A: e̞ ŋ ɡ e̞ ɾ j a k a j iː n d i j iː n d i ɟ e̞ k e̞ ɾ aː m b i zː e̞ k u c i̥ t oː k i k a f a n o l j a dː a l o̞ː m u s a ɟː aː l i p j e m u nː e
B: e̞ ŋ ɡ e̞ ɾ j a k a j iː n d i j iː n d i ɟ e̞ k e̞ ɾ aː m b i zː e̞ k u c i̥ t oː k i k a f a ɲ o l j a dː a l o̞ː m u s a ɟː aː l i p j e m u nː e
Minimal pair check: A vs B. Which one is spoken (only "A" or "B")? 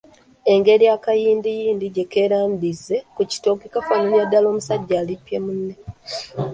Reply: A